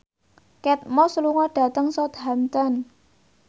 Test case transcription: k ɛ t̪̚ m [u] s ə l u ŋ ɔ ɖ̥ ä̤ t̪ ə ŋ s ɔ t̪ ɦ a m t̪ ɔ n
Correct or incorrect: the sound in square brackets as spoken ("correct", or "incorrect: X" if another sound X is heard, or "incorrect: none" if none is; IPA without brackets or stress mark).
incorrect: ɔ